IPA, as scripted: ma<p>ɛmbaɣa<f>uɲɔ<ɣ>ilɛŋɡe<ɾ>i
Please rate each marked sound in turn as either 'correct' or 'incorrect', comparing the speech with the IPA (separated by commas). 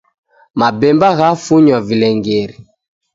incorrect, correct, incorrect, correct